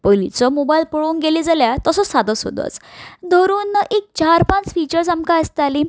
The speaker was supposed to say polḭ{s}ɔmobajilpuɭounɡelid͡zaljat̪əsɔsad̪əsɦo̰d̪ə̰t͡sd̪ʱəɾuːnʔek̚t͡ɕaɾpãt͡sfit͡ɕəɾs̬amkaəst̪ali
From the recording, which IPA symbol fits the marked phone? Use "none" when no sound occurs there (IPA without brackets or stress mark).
t͡s